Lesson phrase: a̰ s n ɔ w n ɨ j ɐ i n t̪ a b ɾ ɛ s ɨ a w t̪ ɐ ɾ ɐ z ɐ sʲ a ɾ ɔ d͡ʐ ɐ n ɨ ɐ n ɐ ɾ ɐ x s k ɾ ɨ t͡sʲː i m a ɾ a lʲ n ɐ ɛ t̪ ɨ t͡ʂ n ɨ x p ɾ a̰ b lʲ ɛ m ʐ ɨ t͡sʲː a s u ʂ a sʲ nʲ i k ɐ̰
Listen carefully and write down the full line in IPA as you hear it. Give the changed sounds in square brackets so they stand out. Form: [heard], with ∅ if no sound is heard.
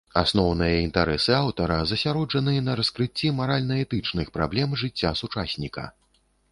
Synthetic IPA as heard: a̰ s n ɔ w n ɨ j ɐ i n t̪ a [∅] ɾ ɛ s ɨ a w t̪ ɐ ɾ ɐ z ɐ sʲ a ɾ ɔ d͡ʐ ɐ n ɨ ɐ n ɐ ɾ ɐ [∅] s k ɾ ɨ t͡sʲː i m a ɾ a lʲ n ɐ ɛ t̪ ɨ t͡ʂ n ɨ x p ɾ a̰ b lʲ ɛ m ʐ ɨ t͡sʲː a s u [t͡ʂ] a sʲ nʲ i k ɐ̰